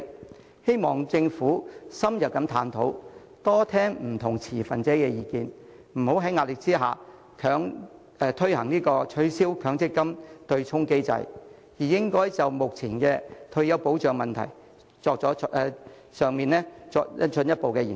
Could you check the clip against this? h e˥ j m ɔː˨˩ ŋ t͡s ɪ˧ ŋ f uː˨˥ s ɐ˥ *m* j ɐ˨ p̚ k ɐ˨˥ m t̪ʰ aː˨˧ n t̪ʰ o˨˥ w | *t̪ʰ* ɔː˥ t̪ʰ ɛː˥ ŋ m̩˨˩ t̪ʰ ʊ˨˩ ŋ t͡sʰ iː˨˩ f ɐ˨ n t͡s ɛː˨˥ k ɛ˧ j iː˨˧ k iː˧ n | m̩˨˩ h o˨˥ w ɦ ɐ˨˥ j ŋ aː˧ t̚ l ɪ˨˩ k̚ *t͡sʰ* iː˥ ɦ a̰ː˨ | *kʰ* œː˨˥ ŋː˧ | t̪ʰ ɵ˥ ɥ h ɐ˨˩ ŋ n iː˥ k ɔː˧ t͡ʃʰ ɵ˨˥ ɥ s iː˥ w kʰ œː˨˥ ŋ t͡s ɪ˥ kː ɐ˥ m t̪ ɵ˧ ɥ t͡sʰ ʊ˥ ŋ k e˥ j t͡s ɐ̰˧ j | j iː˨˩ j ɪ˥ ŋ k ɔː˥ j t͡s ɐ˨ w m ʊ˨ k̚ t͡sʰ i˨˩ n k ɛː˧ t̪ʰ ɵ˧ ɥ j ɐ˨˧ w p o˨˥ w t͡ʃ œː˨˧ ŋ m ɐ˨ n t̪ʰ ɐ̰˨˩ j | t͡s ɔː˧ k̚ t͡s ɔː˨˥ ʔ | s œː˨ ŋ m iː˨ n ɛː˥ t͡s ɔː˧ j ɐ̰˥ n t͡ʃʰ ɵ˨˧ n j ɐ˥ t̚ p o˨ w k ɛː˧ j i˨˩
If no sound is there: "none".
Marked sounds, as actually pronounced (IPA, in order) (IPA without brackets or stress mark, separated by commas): m, t̪, t͡s, kʰ